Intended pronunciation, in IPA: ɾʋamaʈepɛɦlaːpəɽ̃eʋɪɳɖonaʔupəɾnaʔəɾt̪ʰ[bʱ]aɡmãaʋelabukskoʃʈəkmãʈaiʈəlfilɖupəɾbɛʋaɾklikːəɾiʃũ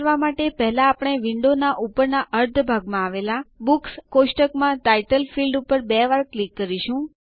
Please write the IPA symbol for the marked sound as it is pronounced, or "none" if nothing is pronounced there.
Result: bʱ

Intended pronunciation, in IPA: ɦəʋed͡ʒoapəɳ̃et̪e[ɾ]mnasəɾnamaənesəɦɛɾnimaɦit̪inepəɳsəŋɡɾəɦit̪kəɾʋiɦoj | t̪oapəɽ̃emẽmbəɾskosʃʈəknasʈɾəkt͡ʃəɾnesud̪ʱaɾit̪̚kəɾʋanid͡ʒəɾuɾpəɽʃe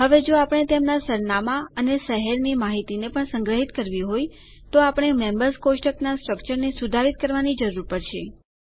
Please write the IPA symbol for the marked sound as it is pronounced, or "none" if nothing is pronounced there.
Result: none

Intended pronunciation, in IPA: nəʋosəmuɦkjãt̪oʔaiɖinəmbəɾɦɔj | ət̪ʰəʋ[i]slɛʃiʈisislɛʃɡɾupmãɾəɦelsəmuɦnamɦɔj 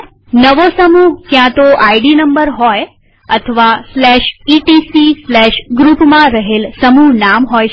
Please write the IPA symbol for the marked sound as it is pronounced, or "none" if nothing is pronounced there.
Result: a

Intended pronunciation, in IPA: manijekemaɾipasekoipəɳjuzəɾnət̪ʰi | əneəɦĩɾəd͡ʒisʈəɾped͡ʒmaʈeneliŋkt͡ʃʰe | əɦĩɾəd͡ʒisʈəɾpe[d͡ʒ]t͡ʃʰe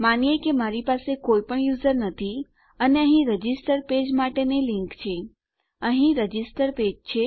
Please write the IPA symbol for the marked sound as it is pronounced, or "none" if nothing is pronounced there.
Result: d͡ʒ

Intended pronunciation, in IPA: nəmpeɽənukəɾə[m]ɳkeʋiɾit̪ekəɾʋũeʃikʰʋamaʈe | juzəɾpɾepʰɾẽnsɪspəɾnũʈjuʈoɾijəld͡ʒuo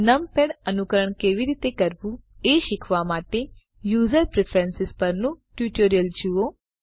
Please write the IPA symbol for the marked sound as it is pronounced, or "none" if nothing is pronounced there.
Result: none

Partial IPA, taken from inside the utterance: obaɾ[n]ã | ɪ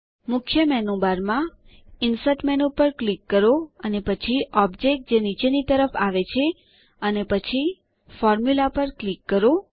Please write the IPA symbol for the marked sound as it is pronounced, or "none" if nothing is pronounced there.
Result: m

